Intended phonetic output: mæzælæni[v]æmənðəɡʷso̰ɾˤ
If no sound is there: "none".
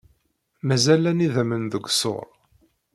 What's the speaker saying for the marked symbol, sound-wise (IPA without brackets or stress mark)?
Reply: ð